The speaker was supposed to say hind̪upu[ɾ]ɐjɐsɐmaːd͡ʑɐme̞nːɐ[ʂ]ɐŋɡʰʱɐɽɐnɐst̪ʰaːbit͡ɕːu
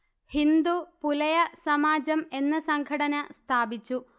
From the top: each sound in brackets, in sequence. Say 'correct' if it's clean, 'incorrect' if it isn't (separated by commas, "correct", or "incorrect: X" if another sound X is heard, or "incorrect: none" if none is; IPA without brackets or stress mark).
incorrect: l, incorrect: s